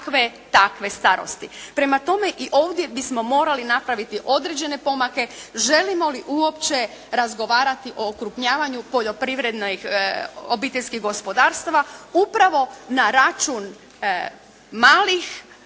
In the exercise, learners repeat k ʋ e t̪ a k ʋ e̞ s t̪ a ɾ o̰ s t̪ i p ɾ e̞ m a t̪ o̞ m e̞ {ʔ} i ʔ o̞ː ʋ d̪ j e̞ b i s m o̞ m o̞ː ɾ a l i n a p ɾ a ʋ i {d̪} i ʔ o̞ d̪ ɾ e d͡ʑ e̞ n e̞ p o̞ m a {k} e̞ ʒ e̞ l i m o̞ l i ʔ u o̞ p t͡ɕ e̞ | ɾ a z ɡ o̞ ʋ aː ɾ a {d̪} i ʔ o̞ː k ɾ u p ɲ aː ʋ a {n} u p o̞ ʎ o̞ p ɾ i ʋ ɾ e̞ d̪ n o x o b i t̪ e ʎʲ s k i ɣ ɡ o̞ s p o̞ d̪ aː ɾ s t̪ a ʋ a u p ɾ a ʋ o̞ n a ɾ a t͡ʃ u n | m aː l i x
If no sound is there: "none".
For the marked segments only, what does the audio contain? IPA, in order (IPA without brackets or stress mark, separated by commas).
ʔ, t̪, k, t̪, ɲ